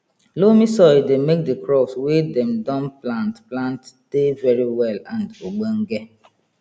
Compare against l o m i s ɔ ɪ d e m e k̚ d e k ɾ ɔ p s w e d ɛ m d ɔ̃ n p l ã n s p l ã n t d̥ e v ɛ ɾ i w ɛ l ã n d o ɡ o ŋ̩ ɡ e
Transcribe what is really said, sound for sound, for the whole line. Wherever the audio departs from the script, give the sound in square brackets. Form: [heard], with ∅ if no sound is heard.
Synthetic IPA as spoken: l o m i s ɔ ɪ d e m e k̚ d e k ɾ ɔ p s w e d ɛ m d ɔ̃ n p l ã n [t] p l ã n t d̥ e v ɛ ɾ i w ɛ l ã n d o [ɡ͡b] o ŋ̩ ɡ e